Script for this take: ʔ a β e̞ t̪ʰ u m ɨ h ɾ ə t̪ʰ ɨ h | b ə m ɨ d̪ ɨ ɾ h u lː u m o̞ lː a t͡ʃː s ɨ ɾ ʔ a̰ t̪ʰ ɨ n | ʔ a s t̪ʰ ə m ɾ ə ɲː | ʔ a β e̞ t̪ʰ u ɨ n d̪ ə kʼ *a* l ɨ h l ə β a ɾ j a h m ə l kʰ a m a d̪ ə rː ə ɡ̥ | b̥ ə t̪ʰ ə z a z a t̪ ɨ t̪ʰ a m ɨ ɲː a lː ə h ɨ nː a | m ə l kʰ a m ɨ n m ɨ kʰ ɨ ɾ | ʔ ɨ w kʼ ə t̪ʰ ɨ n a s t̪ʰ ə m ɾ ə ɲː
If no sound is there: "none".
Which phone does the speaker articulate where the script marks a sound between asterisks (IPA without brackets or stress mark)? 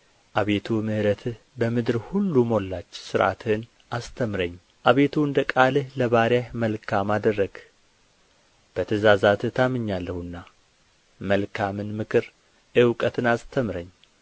a